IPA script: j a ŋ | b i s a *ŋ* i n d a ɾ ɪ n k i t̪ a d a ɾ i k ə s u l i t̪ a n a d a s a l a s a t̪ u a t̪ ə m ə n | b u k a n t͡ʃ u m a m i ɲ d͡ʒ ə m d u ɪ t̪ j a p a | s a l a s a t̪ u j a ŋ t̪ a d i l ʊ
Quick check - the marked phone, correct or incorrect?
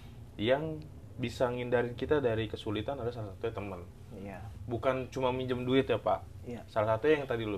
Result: correct